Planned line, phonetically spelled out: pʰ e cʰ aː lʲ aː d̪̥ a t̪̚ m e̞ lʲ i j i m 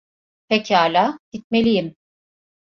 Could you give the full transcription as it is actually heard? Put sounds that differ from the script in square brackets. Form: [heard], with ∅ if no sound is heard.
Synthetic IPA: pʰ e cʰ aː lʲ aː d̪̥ [i] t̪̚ m e̞ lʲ i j i m